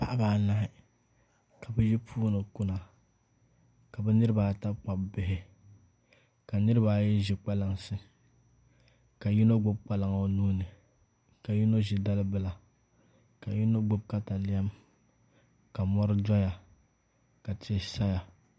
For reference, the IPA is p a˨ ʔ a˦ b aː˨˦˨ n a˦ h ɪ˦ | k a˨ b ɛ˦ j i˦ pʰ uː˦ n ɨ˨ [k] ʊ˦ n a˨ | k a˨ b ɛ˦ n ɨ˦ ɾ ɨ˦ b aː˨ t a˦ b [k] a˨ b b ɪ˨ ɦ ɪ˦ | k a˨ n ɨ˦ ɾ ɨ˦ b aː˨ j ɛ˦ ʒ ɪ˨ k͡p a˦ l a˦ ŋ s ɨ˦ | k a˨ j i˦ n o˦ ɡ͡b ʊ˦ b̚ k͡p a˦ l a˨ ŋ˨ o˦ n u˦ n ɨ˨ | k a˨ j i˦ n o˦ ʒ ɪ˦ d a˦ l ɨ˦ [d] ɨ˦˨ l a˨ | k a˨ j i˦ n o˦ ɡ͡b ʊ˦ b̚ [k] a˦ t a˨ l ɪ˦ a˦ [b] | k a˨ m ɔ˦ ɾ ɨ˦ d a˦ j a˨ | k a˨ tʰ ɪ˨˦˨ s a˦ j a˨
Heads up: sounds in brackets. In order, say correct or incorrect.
correct, incorrect: k͡p, incorrect: b, correct, incorrect: m

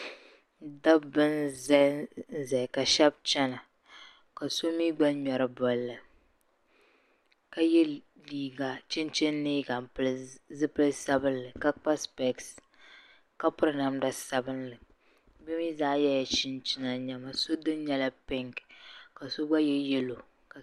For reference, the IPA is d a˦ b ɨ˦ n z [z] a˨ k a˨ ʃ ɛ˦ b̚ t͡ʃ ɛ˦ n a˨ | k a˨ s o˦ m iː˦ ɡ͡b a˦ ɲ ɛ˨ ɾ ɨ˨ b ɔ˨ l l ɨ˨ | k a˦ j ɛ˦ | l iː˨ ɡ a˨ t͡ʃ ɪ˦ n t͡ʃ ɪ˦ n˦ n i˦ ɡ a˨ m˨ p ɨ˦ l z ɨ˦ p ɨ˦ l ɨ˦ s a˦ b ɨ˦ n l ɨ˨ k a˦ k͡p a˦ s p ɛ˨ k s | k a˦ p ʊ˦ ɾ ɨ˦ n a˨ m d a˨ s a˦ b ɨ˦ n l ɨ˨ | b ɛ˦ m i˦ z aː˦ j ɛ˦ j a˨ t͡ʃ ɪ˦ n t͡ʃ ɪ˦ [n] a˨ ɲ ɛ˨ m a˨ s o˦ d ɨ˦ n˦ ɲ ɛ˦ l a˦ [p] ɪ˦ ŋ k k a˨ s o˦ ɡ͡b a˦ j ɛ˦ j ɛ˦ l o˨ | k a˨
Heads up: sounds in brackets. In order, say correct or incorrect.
correct, correct, correct

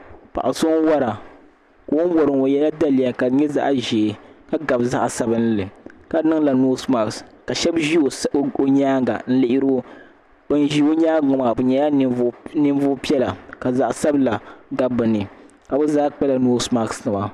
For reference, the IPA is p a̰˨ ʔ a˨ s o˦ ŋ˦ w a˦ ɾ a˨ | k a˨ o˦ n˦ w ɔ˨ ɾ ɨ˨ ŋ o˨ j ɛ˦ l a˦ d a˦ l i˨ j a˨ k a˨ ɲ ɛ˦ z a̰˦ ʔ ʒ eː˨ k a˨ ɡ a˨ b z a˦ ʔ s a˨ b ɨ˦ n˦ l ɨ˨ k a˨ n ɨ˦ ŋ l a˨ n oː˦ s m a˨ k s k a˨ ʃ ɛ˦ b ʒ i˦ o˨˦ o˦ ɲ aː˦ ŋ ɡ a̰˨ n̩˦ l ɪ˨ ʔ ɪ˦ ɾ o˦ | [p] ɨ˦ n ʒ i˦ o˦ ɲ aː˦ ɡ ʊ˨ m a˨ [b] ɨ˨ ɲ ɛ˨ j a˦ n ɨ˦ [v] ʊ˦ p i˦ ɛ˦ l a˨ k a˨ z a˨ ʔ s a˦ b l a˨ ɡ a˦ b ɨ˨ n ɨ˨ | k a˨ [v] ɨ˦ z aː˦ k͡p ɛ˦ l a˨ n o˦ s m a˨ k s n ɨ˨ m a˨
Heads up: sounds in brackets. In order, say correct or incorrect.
incorrect: b, correct, correct, incorrect: b

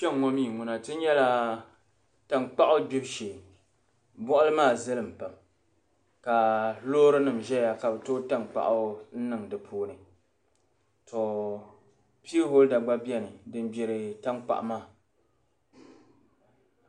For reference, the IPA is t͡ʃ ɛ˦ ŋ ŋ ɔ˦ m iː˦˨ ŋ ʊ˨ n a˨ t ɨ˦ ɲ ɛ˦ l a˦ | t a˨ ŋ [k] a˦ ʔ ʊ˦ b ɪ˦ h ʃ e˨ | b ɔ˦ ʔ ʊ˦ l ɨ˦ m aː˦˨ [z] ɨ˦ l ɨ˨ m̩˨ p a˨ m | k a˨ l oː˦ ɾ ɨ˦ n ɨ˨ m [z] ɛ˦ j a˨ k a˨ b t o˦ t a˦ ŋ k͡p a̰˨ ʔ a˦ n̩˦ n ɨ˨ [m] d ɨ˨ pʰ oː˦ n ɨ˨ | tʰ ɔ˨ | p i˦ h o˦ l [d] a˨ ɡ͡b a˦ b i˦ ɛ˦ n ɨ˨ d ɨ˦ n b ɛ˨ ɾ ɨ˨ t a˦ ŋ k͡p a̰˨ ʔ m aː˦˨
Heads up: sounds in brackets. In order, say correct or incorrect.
incorrect: k͡p, correct, incorrect: ʒ, incorrect: ŋ, correct

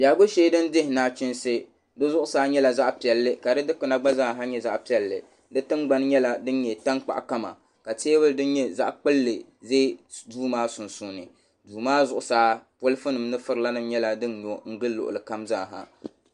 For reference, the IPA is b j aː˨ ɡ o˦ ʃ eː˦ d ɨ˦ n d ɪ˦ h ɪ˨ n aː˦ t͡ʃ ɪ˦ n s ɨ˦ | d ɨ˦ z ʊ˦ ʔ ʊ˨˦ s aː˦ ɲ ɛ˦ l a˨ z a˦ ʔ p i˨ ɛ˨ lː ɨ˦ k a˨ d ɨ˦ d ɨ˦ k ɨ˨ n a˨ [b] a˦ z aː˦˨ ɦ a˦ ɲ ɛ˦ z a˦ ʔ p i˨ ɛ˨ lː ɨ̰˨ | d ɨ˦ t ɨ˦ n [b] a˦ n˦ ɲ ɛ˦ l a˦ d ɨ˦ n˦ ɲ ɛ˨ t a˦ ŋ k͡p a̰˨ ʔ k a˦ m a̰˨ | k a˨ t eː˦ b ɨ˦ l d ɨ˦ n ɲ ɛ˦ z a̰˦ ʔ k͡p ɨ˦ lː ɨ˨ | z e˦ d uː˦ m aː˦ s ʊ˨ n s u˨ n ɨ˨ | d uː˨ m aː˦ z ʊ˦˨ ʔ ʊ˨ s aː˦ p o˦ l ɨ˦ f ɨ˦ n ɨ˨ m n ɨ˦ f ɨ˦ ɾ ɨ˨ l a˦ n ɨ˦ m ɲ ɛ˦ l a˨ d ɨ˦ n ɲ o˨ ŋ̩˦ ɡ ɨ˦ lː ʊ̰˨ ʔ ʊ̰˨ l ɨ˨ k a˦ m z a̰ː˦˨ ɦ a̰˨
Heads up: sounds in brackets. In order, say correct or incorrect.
incorrect: ɡ͡b, incorrect: ɡ͡b

